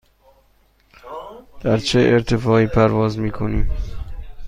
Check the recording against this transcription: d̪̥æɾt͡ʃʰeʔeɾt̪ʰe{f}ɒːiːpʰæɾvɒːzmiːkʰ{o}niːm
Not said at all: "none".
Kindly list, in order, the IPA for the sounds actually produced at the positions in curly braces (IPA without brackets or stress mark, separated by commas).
f, o